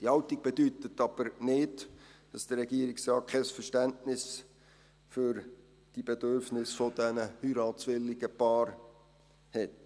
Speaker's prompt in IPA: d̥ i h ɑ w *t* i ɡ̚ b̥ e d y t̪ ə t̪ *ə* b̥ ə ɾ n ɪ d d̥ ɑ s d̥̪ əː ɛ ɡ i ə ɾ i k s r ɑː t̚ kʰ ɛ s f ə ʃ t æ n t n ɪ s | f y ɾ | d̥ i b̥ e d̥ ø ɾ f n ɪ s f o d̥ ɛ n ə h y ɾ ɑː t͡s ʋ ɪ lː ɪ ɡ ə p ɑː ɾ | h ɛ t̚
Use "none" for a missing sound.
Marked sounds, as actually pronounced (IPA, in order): t, ɑ

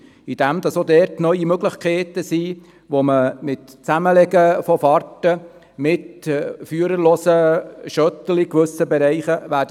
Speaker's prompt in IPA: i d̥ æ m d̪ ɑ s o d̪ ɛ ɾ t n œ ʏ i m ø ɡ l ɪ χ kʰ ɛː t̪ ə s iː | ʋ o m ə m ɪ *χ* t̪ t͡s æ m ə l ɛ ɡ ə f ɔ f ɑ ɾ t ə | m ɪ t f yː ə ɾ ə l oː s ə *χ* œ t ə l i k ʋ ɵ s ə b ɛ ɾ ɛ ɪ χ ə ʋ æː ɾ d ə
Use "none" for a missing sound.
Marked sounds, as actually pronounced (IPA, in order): none, ʃ

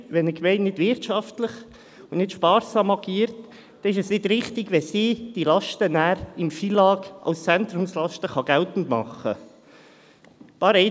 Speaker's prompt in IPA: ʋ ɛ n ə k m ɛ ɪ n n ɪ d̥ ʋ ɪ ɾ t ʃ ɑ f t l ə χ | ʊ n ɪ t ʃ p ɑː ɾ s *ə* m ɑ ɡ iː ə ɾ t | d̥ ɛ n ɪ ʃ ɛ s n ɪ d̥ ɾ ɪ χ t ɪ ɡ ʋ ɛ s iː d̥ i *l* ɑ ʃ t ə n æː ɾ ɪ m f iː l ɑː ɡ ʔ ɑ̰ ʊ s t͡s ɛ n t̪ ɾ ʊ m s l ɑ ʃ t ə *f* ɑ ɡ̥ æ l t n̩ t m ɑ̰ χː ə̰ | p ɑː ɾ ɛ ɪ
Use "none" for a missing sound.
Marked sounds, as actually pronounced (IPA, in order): ɑ, l, χ

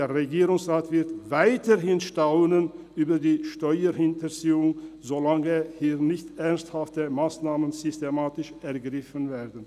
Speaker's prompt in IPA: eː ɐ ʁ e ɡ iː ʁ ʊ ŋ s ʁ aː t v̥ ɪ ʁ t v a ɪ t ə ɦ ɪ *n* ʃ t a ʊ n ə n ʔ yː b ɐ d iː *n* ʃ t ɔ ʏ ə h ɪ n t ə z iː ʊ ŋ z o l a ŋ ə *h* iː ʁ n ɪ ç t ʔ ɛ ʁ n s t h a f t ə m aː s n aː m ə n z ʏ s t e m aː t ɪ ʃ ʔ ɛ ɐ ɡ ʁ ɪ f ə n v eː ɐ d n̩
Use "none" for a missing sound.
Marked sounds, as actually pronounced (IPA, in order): n, none, h

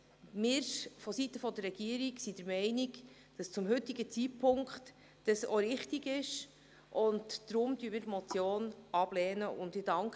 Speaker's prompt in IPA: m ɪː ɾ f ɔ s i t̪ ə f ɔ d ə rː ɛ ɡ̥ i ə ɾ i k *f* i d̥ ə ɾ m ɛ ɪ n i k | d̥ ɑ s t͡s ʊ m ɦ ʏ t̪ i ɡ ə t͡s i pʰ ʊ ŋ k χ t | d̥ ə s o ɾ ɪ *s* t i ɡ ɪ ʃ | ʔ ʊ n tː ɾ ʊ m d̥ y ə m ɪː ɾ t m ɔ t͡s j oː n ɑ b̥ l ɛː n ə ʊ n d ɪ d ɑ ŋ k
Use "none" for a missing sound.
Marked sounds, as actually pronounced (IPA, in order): s, χ

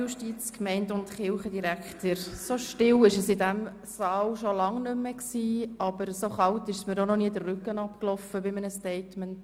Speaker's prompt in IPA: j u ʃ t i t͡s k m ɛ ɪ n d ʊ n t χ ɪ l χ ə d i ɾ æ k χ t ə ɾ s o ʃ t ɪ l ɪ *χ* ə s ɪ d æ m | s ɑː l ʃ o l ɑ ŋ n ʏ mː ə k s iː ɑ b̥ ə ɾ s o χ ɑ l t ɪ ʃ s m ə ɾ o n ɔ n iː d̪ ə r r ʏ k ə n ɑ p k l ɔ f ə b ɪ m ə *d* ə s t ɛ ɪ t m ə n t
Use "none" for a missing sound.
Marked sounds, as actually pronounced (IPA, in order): ʃ, n

